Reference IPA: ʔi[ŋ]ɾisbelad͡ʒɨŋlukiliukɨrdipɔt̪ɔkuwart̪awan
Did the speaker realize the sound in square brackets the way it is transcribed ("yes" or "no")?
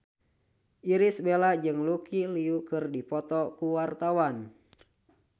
no